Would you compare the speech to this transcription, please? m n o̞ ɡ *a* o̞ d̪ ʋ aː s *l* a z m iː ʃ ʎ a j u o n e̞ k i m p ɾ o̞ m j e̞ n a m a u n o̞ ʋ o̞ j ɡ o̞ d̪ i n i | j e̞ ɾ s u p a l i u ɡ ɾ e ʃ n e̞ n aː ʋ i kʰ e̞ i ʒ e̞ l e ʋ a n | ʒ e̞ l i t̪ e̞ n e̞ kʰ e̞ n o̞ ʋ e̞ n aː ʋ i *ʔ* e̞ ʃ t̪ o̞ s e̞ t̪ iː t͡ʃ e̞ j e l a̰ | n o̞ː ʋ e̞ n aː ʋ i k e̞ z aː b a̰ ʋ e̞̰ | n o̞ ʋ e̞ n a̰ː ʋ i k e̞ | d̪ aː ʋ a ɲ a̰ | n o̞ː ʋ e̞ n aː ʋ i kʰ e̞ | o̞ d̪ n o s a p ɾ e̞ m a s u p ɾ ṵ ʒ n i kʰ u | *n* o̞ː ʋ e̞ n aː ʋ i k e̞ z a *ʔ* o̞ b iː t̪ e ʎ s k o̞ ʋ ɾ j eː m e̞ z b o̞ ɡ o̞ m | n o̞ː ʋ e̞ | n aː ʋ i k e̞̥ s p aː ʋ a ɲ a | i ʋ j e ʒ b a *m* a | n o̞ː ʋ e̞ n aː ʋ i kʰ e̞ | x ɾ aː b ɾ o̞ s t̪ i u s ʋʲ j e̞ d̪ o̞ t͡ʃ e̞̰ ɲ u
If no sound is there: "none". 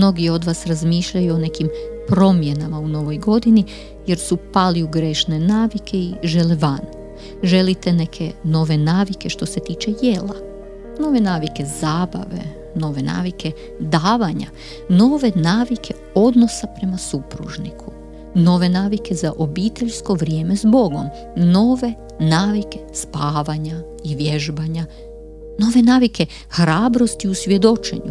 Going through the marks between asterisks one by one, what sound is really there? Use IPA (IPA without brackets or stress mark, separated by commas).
i, ɾ, k, n, ʔ, ɲ